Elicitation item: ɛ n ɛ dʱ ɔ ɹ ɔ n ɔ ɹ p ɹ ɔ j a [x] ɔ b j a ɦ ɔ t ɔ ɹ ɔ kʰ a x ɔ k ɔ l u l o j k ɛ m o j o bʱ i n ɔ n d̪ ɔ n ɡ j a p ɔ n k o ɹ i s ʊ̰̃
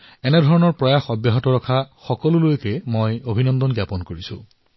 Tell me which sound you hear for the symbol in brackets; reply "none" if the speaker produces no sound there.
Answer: x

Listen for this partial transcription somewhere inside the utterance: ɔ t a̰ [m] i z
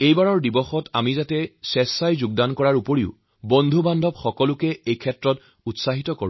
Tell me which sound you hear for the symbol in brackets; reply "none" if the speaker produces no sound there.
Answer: m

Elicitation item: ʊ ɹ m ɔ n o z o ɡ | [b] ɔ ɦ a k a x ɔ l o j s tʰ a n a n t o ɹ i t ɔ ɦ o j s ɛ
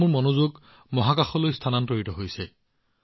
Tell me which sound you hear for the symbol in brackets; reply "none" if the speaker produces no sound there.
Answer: m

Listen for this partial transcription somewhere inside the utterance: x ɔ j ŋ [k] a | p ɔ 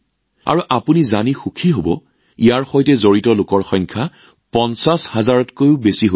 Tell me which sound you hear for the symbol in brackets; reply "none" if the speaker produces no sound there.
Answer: kʰ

